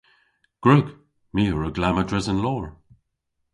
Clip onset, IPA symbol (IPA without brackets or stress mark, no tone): ɡ̥